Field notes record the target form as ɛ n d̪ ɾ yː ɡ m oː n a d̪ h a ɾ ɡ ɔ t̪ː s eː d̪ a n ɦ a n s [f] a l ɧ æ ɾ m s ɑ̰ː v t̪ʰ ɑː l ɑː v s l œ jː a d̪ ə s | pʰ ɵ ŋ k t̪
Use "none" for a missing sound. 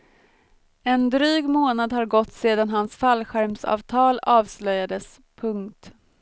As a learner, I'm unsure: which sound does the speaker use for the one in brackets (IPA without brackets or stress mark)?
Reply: f